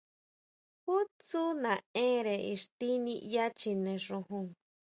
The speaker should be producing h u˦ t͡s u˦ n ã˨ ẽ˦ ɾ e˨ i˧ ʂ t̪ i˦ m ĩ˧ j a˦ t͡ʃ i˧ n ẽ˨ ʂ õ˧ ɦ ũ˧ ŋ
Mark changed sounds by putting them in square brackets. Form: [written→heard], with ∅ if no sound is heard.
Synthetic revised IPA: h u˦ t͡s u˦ n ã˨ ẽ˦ ɾ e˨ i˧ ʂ t̪ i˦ [m→n] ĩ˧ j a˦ t͡ʃ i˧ n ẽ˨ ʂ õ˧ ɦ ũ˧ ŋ

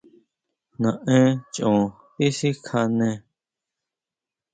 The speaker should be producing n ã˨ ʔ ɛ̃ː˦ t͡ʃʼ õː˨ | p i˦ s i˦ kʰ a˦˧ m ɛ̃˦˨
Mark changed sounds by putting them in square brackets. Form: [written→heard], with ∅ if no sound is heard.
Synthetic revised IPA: n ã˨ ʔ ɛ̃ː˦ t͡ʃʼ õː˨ | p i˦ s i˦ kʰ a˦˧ [m→n] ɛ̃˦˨

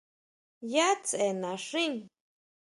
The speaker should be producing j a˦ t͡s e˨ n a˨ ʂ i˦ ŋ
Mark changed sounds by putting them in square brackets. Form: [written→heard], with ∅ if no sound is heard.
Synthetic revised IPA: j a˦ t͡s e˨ n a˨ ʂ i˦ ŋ

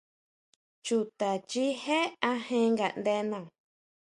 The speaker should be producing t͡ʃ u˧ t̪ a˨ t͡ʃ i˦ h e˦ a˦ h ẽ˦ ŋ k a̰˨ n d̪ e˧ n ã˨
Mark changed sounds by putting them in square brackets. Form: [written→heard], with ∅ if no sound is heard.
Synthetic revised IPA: t͡ʃ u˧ t̪ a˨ t͡ʃ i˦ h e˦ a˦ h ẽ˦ ŋ [k→ɡ] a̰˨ n d̪ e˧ n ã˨

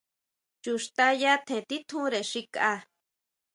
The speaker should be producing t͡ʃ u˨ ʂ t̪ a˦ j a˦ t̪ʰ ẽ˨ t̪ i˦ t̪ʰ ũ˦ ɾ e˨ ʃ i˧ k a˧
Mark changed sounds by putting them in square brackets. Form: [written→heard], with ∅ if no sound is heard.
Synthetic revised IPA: t͡ʃ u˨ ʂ t̪ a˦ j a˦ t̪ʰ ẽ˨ t̪ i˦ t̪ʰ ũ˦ ɾ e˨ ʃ i˧ k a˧

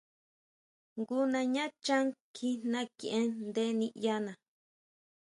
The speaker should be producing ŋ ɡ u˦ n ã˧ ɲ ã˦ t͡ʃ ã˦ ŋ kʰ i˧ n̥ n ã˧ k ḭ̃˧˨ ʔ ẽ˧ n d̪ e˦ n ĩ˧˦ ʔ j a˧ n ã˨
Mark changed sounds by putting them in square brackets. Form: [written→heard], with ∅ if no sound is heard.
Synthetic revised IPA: ŋ ɡ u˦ n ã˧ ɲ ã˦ t͡ʃ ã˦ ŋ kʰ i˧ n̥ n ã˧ k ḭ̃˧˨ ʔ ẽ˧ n d̪ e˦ n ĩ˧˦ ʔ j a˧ n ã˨

